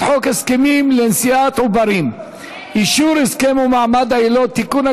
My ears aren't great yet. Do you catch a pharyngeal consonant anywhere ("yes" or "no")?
yes